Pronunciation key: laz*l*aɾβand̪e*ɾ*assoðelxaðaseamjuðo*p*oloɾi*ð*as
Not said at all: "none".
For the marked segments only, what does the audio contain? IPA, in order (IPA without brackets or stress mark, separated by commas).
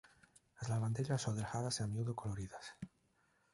l, ʎ, k, ð